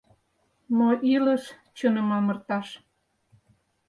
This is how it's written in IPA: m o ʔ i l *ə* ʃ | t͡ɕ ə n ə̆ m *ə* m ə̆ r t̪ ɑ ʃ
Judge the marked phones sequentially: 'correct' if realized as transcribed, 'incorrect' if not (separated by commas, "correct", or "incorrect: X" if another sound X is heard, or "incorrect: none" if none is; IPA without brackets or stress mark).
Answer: correct, incorrect: ɑ